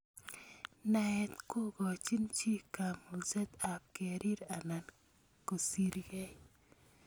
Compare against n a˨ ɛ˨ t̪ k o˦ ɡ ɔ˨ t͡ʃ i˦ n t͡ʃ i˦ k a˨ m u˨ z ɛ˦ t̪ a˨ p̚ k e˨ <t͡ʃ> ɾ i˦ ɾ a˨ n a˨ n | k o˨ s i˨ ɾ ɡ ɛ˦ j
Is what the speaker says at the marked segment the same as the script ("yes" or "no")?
no